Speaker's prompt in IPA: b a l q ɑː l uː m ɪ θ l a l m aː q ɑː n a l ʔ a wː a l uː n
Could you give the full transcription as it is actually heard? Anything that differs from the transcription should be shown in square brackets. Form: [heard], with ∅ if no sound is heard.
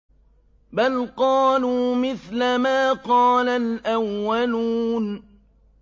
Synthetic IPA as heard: b a l q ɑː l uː m ɪ θ l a [∅] m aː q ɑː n a l ʔ a wː a l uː n